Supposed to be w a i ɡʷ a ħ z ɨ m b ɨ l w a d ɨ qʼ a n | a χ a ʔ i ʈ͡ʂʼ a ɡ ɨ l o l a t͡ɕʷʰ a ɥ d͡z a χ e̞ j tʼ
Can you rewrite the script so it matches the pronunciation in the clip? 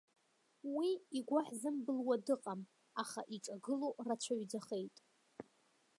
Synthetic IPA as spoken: w i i ɡʷ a ħ z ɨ m b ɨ l w a d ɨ qʼ a m | a χ a ʔ i ʈ͡ʂʼ a ɡ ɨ l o r a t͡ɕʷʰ a ɥ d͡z a χ e̞ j tʼ